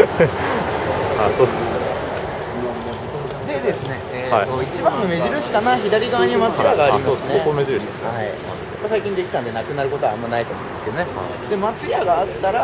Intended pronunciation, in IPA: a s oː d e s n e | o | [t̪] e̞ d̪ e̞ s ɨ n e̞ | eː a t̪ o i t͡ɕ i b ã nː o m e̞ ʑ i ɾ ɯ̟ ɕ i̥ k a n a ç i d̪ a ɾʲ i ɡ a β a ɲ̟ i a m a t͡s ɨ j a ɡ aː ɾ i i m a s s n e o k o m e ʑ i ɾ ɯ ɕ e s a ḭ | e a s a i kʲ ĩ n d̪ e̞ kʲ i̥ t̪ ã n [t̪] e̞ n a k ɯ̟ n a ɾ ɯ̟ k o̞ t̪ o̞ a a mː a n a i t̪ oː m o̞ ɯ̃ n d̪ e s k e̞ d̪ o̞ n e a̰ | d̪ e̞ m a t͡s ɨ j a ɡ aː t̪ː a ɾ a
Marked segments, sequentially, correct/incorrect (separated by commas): incorrect, incorrect